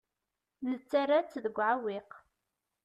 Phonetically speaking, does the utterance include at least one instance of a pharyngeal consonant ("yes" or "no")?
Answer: yes